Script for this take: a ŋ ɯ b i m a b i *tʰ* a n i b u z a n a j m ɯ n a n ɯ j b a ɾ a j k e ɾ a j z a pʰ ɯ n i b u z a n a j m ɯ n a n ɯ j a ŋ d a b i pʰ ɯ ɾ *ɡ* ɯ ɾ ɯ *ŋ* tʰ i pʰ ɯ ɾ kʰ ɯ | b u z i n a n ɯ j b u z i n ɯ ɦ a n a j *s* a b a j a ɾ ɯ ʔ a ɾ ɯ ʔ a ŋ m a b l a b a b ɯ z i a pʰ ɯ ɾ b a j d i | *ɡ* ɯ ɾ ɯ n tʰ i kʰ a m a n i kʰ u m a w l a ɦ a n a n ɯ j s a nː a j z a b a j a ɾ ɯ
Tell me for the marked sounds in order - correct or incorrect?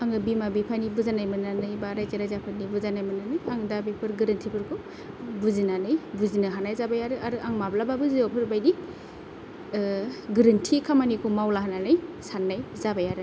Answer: incorrect: pʰ, correct, incorrect: n, incorrect: z, correct

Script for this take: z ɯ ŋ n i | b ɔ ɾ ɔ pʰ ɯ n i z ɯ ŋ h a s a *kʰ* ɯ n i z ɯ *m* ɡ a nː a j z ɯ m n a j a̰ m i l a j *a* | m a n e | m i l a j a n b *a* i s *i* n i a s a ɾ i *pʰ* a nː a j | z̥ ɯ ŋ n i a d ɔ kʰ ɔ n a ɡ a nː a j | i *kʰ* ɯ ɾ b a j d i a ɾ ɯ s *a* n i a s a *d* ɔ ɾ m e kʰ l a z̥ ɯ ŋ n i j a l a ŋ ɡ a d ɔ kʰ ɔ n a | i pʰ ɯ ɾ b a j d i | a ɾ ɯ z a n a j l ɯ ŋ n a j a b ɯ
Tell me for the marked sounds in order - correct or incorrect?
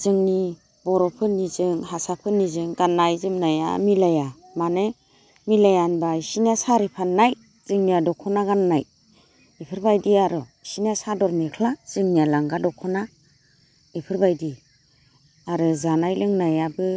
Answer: incorrect: pʰ, incorrect: ŋ, correct, correct, correct, correct, incorrect: pʰ, incorrect: i, correct

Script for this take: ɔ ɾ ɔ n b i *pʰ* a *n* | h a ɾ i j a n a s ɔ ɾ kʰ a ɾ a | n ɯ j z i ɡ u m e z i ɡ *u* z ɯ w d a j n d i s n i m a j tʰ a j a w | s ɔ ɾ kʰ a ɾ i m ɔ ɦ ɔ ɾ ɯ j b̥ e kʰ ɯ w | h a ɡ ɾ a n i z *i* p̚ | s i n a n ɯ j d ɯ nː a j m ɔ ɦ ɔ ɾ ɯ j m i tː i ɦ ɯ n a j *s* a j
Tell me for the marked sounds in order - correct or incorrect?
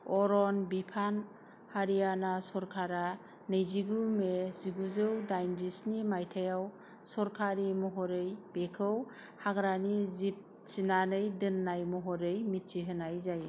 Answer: correct, correct, correct, correct, incorrect: z

